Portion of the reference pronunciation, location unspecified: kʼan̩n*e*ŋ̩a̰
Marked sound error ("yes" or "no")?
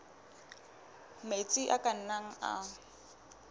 yes